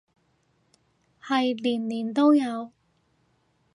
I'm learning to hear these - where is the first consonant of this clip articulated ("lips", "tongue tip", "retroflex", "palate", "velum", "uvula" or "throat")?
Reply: throat